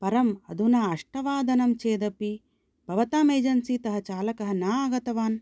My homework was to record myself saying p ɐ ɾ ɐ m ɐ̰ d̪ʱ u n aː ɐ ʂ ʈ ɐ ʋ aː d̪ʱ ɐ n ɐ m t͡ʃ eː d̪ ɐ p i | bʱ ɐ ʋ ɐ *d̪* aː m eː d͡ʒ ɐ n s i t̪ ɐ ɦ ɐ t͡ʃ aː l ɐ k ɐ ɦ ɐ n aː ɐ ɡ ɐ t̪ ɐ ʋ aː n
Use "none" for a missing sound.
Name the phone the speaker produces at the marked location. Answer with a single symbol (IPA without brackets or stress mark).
t̪